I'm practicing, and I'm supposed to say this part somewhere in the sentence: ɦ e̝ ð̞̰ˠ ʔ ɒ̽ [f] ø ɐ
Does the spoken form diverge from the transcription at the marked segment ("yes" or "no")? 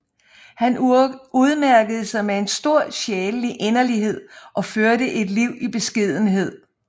no